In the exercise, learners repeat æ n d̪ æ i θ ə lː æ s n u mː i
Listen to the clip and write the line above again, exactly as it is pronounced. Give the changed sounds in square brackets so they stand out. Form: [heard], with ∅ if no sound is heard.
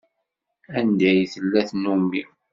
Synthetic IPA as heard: æ n d̪ æ [j] θ ə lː æ [θ] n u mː i